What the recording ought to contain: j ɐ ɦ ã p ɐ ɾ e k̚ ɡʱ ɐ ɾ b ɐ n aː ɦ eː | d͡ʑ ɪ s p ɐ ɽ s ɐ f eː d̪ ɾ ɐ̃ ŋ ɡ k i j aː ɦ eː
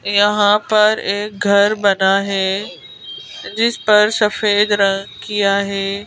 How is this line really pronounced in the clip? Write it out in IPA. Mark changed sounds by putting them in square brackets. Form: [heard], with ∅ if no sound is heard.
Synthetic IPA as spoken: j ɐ ɦ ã p ɐ ɾ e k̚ ɡʱ ɐ ɾ b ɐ n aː ɦ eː | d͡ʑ ɪ s p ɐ [ɾ] s ɐ f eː d̪ ɾ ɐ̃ ŋ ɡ k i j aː ɦ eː